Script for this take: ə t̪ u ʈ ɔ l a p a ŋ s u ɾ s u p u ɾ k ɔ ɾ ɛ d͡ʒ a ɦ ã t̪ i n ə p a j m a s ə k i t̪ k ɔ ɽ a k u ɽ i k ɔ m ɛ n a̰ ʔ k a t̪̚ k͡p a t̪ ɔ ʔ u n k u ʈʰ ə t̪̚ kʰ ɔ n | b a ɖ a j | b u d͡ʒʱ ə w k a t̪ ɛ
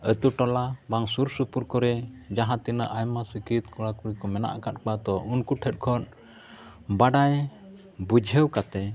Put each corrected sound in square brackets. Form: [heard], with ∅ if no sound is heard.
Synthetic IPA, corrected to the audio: ə t̪ u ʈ ɔ l a [b] a ŋ s u ɾ s u p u ɾ k ɔ ɾ ɛ d͡ʒ a ɦ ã t̪ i n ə [ʔ] a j m a s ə k i t̪ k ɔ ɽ a k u [ɾ] i k ɔ m ɛ n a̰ ʔ k a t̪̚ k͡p a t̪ ɔ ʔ u n k u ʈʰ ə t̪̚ kʰ ɔ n | b a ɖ a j | b u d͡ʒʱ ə w k a t̪ ɛ